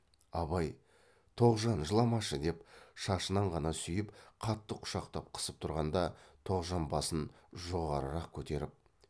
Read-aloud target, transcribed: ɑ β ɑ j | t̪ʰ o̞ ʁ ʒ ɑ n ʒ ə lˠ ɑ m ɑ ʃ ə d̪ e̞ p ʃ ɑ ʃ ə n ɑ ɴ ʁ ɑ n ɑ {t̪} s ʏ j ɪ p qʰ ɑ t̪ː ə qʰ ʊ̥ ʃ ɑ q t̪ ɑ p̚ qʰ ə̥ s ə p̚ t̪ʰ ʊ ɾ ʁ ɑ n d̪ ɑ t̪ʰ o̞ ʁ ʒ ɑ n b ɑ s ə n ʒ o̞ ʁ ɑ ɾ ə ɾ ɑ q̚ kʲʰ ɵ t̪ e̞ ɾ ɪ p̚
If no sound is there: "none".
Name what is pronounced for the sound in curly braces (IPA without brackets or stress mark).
none